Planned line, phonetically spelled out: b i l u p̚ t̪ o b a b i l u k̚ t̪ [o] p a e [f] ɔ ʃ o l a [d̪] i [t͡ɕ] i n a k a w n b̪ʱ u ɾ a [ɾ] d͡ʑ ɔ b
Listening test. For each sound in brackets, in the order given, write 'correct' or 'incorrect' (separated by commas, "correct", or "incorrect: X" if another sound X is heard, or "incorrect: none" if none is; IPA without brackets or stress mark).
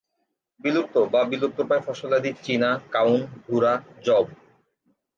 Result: correct, correct, correct, correct, incorrect: none